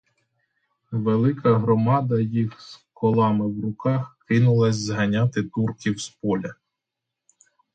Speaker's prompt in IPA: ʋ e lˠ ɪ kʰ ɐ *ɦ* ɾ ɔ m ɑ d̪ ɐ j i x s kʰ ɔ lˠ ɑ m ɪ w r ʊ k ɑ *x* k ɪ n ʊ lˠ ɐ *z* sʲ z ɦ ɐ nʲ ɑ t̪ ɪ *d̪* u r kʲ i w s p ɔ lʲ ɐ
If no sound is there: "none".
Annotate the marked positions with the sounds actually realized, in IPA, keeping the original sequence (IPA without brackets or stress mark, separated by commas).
ɦ, x, none, t̪